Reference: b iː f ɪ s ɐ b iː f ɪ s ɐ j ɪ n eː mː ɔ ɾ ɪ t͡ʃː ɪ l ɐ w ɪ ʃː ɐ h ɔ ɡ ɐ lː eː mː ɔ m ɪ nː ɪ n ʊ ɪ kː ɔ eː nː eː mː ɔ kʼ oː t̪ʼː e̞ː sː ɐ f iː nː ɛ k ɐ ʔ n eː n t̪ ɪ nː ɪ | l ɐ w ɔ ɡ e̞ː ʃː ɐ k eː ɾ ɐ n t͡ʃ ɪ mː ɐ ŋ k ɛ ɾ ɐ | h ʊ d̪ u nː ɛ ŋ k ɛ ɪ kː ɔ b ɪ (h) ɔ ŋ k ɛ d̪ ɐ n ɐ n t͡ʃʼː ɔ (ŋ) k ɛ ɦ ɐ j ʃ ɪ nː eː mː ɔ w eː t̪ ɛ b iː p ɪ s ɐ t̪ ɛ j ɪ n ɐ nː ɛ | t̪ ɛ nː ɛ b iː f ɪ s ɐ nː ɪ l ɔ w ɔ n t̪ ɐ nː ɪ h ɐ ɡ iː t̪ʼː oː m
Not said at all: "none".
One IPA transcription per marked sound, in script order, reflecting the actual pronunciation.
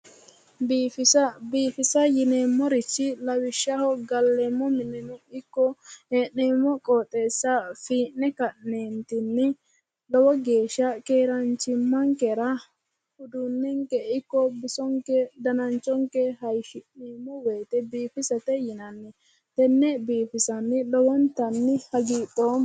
s, ŋ

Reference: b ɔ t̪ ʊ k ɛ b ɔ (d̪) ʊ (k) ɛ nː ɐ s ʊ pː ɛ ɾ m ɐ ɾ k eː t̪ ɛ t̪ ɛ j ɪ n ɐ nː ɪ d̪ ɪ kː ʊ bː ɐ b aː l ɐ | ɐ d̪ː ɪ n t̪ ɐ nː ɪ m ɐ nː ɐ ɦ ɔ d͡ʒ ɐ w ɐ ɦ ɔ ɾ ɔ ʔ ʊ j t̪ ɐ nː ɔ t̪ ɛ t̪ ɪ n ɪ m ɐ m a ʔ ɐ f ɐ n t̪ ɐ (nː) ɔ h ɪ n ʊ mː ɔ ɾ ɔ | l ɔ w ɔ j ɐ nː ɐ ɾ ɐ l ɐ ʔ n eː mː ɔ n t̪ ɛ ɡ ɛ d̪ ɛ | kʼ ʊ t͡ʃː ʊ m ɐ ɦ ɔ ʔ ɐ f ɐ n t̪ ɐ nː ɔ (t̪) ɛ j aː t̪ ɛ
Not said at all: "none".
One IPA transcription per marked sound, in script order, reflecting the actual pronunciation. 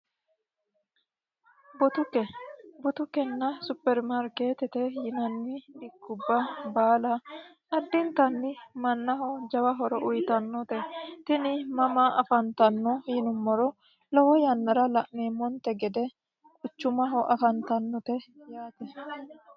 t̪, k, nː, t̪

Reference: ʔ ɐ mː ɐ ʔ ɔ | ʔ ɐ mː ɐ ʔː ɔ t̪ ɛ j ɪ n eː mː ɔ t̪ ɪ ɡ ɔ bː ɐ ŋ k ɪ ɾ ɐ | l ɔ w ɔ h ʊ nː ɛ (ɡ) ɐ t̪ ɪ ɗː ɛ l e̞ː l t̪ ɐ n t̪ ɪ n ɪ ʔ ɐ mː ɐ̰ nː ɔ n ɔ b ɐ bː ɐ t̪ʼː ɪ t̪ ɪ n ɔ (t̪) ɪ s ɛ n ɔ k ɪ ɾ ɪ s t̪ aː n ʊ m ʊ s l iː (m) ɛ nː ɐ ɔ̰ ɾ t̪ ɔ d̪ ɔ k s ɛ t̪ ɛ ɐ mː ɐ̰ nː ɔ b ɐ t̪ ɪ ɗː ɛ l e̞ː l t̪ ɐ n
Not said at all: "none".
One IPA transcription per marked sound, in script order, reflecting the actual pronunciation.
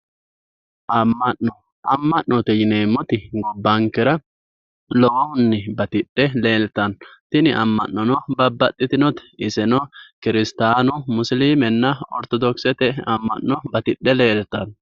b, t̪, m

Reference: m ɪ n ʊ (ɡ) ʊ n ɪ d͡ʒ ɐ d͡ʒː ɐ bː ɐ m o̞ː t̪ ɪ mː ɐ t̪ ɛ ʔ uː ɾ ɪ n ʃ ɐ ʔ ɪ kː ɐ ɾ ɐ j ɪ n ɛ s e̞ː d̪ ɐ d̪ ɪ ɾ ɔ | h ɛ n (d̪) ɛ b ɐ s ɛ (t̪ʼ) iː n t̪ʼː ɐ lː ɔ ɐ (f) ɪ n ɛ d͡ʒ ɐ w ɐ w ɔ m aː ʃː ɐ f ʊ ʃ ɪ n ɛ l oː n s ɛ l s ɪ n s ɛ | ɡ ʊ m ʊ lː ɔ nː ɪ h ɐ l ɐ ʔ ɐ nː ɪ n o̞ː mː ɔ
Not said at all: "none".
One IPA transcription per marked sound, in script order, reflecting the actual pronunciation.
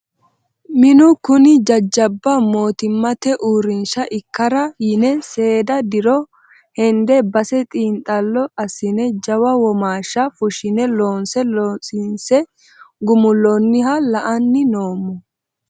k, d̪, t̪ʼ, s

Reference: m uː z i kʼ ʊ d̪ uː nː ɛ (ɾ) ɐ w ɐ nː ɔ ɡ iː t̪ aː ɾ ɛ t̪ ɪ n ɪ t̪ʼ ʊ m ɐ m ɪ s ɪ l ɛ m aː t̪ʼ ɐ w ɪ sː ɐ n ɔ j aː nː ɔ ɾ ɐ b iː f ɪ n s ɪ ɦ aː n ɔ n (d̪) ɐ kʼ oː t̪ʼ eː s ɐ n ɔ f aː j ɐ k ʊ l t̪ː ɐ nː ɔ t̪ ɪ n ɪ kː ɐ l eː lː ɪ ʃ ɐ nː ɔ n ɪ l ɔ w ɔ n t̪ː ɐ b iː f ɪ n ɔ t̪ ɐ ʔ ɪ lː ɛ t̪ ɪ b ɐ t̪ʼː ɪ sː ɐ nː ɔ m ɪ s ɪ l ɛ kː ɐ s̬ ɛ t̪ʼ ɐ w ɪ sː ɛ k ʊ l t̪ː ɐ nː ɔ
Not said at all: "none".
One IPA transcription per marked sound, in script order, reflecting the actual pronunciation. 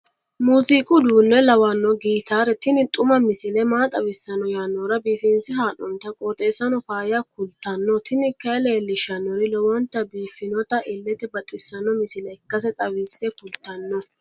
l, t̪

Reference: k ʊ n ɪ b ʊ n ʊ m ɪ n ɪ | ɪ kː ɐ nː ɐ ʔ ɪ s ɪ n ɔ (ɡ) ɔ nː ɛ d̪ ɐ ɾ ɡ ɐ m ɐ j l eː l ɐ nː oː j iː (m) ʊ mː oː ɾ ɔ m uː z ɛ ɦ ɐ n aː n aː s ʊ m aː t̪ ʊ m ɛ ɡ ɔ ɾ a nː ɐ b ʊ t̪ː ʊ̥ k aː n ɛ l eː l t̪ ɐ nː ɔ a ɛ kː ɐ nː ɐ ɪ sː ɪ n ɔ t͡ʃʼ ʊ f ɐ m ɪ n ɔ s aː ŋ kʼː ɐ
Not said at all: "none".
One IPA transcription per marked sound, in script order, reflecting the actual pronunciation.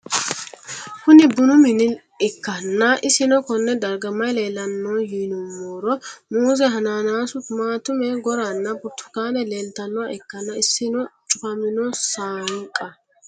k, n

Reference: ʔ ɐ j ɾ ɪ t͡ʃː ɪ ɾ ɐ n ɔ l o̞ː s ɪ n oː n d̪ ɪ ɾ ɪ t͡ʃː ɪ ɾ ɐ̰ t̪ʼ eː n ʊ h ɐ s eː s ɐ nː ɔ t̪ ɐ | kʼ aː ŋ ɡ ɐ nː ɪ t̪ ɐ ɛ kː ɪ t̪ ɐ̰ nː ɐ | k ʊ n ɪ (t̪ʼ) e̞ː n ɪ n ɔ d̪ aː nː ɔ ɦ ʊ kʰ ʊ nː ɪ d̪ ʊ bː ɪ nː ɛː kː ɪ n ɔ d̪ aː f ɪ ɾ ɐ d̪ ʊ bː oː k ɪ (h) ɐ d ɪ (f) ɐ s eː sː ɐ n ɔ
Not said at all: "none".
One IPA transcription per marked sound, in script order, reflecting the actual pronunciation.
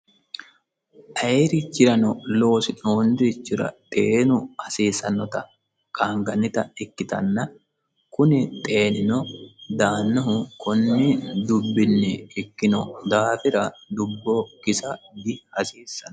t̪ʼ, s, h

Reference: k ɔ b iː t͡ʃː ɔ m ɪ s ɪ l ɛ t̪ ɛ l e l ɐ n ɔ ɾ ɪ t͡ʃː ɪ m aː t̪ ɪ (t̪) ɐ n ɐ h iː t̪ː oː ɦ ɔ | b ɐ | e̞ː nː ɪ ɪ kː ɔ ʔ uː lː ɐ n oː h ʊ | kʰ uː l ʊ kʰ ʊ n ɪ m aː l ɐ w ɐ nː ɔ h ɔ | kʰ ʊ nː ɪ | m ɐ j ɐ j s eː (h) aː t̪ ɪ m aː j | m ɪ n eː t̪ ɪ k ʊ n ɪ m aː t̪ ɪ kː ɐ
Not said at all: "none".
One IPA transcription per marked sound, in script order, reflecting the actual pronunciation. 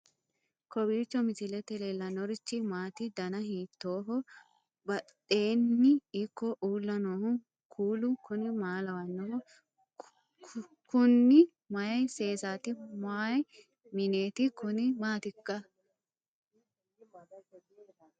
d̪, s

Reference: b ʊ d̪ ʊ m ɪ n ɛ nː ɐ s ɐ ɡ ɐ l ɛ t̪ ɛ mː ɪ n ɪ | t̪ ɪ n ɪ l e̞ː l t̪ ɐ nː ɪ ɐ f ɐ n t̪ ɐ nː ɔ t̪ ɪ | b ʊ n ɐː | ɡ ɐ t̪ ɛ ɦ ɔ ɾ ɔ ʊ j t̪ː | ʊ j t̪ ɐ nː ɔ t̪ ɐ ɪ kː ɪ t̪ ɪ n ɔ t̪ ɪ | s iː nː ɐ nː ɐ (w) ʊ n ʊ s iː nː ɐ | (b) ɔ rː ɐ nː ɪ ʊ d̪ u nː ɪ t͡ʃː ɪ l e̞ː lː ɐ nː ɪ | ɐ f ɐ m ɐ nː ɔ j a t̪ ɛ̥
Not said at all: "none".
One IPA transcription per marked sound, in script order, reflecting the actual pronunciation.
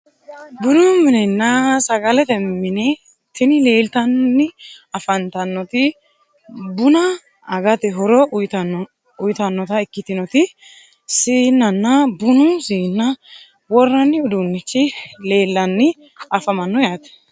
b, w

